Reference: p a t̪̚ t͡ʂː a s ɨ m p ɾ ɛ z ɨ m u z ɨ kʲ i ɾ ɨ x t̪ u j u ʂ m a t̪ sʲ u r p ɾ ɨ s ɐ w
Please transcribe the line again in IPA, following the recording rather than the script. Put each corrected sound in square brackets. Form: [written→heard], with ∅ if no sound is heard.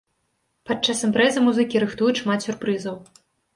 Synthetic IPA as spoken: p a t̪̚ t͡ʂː a s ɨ m p ɾ ɛ z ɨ m u z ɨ kʲ i ɾ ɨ x t̪ u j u ʂ m a t̪ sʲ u r p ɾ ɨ [s→z] ɐ w